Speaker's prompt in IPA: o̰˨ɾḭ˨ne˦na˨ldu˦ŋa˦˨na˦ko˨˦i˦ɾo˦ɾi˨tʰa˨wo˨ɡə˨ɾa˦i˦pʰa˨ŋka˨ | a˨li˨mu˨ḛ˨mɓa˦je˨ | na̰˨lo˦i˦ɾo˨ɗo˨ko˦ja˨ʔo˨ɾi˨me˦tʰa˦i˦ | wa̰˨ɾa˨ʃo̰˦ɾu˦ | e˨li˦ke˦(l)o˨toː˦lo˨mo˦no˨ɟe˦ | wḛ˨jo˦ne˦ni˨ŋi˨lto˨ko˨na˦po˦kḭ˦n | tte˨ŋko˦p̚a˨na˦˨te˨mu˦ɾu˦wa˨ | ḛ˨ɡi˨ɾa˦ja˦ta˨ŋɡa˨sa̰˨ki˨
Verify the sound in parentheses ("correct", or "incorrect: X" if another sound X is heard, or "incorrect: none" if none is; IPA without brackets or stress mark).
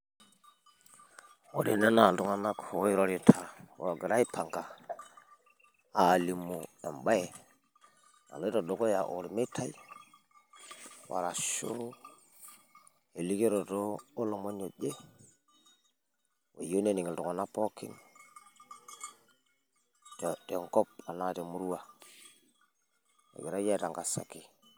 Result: incorrect: ɾ